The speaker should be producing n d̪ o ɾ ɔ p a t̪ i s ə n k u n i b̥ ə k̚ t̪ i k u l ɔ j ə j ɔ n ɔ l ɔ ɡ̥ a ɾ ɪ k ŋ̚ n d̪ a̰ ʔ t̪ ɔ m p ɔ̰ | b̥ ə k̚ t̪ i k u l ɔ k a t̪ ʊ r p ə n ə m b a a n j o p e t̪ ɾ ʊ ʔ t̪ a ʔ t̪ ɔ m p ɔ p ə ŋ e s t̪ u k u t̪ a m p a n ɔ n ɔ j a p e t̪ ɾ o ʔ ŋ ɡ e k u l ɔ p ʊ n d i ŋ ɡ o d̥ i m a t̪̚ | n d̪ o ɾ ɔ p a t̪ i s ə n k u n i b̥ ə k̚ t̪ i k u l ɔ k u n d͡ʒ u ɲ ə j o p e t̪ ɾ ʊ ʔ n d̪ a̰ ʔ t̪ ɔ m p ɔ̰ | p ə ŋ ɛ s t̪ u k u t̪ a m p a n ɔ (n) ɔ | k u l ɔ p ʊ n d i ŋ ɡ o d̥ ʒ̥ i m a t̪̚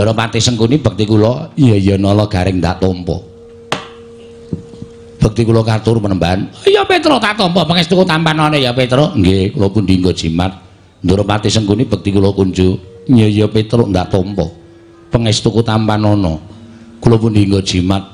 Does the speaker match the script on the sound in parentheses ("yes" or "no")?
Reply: yes